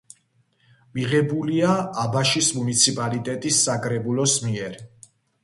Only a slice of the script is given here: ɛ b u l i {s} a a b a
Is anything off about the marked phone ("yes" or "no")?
yes